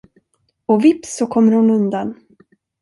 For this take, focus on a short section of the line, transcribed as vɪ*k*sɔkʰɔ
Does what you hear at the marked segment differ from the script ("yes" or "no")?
yes